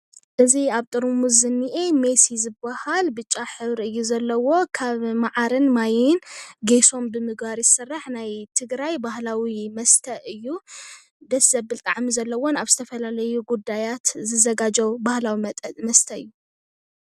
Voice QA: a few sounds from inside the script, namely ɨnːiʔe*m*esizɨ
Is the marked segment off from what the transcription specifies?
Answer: no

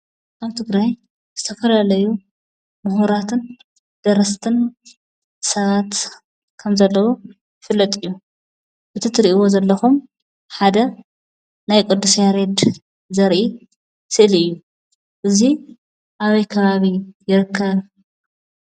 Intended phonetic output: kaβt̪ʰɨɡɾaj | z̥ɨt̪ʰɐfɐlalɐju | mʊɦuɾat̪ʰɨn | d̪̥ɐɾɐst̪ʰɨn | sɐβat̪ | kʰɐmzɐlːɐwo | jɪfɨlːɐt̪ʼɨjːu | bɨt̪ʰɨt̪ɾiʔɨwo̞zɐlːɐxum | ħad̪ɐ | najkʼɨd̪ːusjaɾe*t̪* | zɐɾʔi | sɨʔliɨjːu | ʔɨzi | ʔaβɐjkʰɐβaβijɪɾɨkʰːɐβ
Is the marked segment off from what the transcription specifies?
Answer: yes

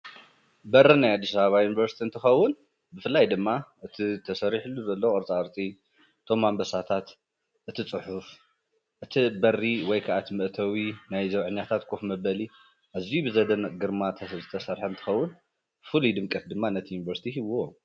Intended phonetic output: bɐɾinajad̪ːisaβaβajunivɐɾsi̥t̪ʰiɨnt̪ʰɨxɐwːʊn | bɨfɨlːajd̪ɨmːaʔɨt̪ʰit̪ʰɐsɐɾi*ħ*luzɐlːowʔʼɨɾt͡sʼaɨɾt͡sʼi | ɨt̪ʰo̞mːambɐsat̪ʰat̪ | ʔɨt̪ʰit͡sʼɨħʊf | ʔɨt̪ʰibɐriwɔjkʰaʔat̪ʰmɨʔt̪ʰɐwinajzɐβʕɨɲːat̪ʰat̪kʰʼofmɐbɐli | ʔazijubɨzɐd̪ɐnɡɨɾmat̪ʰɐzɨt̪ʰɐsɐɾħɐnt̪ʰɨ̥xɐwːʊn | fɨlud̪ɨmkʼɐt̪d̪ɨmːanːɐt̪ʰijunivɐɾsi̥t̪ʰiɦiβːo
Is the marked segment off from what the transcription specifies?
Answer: no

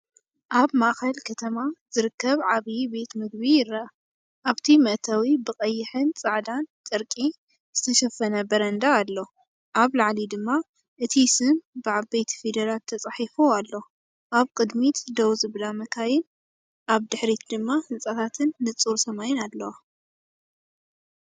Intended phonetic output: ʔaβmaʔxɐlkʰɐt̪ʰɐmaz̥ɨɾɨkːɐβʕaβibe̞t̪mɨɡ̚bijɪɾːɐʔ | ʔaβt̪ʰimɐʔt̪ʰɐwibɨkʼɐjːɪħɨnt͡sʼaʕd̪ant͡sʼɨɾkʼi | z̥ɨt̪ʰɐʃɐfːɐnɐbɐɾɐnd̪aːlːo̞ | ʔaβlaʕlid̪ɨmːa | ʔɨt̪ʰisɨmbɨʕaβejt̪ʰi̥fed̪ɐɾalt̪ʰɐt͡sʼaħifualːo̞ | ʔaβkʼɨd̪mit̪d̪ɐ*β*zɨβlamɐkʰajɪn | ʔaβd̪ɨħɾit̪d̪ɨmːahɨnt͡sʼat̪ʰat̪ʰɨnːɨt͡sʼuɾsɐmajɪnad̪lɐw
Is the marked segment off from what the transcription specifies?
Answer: yes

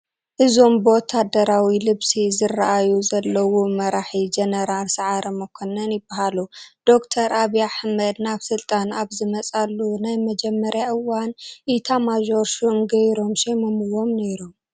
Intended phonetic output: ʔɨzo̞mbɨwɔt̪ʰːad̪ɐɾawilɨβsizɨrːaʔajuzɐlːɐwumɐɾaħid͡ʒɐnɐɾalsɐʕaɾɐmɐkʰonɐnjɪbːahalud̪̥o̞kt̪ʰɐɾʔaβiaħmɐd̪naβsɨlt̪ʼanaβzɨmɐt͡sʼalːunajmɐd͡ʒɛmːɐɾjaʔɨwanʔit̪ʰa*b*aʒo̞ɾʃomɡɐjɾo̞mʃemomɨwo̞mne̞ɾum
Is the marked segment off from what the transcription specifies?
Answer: yes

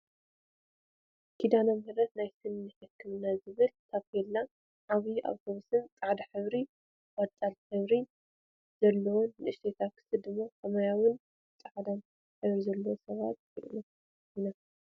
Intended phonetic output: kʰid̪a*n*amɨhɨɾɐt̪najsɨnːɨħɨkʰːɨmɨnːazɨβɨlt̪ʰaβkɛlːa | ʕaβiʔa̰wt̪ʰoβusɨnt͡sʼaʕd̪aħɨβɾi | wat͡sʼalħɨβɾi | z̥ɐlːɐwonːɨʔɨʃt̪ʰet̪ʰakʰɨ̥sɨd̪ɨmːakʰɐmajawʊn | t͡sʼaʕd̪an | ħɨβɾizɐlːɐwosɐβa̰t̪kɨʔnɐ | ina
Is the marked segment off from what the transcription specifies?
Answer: no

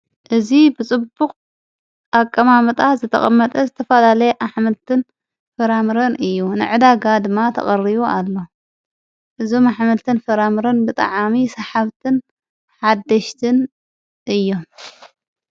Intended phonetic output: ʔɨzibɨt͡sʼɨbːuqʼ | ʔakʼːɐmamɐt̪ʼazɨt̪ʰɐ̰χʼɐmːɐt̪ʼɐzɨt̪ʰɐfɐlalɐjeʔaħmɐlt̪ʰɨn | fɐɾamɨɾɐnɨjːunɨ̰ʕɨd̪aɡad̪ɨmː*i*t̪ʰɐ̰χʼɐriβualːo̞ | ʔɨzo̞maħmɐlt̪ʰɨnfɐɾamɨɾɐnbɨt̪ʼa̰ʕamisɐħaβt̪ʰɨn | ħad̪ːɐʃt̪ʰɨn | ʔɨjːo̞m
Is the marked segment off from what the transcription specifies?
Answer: yes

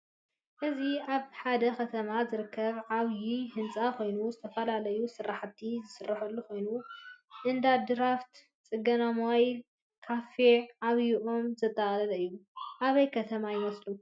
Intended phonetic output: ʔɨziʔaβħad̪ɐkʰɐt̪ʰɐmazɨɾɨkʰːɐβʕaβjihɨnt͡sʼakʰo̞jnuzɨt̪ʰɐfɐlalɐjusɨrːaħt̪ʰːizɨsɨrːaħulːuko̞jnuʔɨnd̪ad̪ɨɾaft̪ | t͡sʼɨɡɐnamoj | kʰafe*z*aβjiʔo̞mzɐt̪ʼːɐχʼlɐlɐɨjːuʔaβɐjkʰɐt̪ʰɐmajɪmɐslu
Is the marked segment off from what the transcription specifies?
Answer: yes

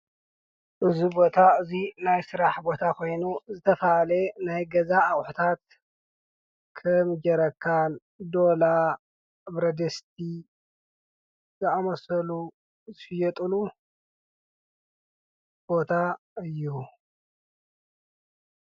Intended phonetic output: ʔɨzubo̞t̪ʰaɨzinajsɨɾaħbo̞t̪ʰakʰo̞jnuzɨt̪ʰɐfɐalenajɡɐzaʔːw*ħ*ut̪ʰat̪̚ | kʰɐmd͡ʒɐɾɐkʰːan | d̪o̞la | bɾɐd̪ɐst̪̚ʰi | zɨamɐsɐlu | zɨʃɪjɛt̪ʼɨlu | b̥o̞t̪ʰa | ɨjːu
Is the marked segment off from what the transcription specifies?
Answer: no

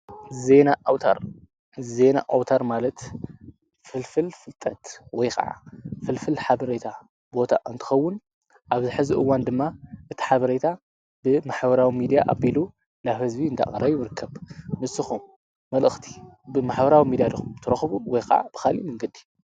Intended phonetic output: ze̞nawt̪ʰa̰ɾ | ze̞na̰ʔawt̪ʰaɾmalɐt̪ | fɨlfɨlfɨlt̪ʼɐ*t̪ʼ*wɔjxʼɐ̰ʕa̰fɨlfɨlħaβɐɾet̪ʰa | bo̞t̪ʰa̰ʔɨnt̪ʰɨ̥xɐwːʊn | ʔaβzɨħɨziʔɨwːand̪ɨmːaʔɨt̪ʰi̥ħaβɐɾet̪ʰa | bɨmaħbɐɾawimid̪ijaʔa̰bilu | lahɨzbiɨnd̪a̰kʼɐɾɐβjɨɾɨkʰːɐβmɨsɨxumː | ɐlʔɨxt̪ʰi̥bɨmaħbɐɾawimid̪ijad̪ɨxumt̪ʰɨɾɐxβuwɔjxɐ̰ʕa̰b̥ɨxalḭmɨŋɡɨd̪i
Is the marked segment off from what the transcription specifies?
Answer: yes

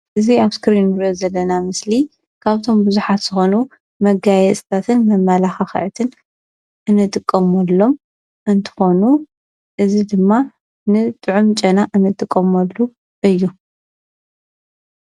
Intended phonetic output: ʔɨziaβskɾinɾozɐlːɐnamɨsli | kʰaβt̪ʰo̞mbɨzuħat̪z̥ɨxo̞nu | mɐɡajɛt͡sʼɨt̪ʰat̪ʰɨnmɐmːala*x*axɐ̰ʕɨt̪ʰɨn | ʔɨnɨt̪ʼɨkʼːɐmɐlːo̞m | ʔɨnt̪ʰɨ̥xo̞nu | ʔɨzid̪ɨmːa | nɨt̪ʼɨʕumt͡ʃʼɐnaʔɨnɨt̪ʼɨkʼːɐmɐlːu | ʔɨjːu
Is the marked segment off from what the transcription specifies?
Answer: no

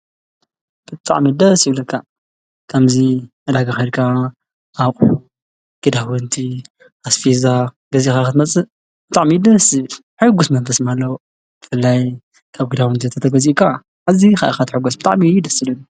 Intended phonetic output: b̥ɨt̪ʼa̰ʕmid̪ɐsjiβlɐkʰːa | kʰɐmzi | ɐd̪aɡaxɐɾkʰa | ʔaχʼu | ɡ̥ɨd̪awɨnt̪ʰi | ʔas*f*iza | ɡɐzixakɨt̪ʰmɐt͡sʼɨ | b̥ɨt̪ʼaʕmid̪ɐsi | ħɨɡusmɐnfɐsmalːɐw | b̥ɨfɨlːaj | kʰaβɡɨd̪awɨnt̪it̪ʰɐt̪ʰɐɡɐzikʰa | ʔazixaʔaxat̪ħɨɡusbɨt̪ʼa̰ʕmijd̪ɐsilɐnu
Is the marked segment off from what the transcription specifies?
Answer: no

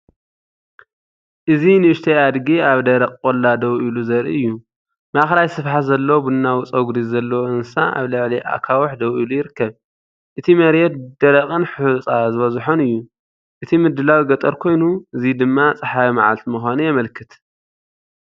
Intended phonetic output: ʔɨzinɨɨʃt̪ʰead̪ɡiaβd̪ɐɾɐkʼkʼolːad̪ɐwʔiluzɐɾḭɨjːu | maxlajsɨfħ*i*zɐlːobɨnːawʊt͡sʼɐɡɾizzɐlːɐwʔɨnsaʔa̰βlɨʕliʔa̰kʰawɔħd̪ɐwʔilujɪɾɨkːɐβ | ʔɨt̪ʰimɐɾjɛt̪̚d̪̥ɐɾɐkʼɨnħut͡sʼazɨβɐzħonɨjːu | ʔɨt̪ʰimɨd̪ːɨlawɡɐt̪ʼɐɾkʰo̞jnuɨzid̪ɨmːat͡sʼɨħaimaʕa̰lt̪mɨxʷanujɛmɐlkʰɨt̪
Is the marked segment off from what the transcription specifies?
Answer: yes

